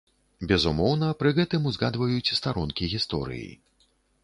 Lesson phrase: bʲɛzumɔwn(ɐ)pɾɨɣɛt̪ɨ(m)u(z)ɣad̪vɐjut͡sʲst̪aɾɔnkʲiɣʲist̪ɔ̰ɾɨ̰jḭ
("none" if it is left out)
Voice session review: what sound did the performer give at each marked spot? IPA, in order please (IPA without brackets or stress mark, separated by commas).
ɐ, m, z